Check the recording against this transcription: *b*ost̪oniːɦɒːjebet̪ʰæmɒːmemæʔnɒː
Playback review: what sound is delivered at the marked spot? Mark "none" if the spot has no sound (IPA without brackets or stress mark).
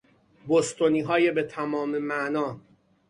b